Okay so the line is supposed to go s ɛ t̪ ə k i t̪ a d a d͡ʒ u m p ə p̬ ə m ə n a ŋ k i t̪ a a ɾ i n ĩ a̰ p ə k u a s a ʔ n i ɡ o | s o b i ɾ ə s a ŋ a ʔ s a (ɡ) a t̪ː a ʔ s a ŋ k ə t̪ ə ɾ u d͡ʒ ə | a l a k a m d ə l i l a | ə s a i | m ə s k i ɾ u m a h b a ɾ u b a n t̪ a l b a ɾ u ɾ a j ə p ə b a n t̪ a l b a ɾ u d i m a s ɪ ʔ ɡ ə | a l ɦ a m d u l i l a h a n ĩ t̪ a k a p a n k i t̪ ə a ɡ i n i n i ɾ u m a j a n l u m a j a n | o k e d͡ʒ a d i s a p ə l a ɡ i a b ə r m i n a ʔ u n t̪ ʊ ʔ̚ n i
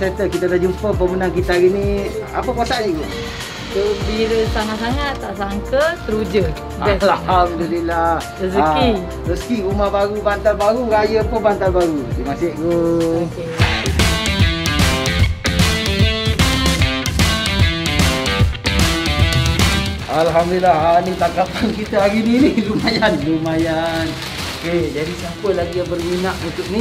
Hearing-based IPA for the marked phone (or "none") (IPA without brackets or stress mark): ŋ